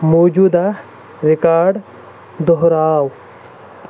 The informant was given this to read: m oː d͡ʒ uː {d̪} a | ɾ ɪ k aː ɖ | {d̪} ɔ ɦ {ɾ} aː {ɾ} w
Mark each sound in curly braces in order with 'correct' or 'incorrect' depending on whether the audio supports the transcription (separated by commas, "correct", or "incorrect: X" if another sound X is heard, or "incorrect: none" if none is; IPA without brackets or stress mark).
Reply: correct, correct, correct, incorrect: none